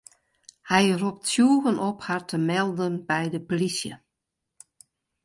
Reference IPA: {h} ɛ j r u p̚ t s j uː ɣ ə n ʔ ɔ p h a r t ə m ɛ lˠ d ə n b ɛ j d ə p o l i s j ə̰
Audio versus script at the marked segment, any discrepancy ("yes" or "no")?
no